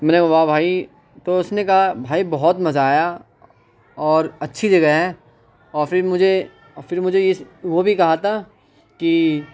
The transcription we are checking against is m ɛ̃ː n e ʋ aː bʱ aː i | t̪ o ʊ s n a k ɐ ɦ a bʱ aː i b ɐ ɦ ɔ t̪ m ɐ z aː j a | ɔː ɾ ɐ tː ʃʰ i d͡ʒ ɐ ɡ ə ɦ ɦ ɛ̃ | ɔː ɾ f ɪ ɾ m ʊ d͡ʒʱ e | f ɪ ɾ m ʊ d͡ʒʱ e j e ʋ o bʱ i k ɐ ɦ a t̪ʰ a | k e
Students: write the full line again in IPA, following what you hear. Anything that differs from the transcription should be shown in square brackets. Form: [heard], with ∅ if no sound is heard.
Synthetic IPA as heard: m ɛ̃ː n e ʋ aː bʱ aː i | t̪ o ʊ s n [e] k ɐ ɦ a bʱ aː i b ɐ ɦ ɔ t̪ m ɐ z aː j a | ɔː ɾ ɐ tː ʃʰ i d͡ʒ ɐ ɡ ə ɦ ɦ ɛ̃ | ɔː ɾ f ɪ ɾ m ʊ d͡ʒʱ e | f ɪ ɾ m ʊ d͡ʒʱ e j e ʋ o bʱ i k ɐ ɦ a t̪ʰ a | k [i]